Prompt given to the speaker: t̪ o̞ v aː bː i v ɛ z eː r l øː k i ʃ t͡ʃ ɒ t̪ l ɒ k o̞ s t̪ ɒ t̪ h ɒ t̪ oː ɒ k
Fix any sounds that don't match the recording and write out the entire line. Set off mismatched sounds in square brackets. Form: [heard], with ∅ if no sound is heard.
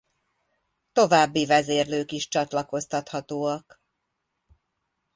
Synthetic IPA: t̪ o̞ v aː bː i v ɛ z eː r l øː k i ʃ t͡ʃ ɒ t̪ l ɒ k o̞ s t̪ ɒ t̪ h ɒ t̪ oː ɒ k